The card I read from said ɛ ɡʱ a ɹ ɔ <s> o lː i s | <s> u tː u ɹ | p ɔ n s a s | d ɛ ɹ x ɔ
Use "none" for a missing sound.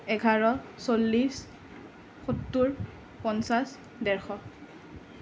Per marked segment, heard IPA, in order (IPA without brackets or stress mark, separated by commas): s, x